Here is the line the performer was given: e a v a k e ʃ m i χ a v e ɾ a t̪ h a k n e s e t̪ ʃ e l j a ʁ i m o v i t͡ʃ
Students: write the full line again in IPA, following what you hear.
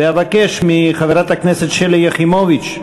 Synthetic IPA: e a v a k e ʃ m i χ a v e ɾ a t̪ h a k n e s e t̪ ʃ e l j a χ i m o v i t͡ʃ